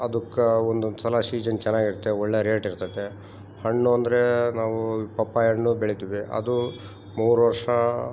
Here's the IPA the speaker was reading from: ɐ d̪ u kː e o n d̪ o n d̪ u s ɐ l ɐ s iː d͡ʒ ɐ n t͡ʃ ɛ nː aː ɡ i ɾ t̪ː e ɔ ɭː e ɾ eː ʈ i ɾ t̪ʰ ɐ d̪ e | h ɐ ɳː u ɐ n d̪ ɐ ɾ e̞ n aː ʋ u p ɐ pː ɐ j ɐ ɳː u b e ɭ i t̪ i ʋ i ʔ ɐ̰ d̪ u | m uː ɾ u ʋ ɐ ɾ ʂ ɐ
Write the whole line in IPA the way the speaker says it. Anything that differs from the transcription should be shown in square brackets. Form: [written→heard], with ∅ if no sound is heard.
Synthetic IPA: ɐ d̪ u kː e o n d̪ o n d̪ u s ɐ l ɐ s iː d͡ʒ ɐ n t͡ʃ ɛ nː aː ɡ i ɾ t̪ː e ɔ ɭː e ɾ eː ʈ i ɾ [t̪ʰ→t̪] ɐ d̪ e | h ɐ ɳː u ɐ n d̪ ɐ ɾ e̞ n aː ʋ u p ɐ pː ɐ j ɐ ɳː u b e ɭ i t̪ i ʋ i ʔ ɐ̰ d̪ u | m uː ɾ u ʋ ɐ ɾ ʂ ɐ